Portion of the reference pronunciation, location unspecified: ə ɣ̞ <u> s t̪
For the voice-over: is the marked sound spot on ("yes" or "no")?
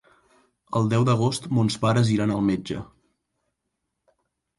no